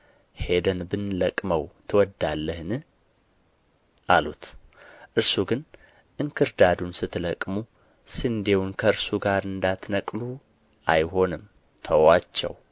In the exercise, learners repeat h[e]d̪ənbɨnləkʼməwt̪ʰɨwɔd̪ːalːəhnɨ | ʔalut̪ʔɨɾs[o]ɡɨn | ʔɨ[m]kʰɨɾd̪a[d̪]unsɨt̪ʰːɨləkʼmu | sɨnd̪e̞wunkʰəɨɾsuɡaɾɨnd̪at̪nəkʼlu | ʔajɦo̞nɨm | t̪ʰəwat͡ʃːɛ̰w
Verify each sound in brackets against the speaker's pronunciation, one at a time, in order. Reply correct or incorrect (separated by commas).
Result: correct, incorrect, incorrect, correct